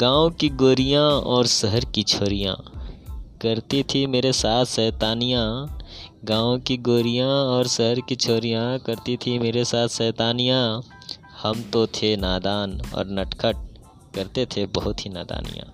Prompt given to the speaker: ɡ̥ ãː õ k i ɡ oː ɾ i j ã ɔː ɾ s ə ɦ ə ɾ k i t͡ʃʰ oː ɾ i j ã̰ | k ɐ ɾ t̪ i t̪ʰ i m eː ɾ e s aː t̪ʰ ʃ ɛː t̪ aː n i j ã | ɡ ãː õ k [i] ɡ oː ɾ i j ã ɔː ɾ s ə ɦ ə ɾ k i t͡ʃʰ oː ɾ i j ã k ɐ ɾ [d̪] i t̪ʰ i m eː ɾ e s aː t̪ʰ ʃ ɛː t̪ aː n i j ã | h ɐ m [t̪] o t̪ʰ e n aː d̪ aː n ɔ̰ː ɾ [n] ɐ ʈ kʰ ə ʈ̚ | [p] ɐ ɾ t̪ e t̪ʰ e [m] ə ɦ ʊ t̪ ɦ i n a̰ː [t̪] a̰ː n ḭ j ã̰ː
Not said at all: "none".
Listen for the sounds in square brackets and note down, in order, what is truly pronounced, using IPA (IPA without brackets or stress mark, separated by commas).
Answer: i, t̪, t̪, n, k, b, d̪